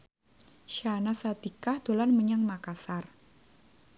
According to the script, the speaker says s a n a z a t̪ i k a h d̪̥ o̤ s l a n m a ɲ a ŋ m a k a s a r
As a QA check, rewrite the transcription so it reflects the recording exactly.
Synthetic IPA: ʃ a n a s a t̪ i k a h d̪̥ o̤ l a n m ə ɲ a ŋ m a k a s a r